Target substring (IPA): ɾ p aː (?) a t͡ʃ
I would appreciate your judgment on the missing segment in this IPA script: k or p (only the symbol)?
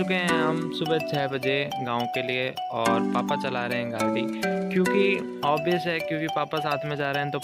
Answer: p